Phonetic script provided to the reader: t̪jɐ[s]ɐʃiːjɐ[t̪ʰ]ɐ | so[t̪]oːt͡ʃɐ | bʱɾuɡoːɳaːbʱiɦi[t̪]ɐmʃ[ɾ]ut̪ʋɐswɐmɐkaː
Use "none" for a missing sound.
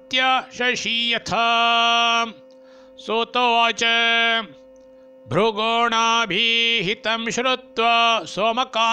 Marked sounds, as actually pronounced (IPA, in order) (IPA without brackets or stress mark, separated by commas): ʃ, t̪ʰ, t̪, t̪, ɾ